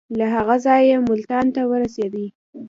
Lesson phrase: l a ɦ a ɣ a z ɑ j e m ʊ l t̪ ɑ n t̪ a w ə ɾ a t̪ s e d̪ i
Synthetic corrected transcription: l a ɦ a ɣ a z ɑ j e m ʊ l t̪ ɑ n t̪ a w ə ɾ a s e d̪ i